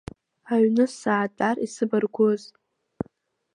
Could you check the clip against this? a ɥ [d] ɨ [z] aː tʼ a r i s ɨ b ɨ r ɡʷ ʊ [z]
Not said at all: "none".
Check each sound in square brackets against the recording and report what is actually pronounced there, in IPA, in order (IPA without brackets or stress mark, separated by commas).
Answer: n, s, z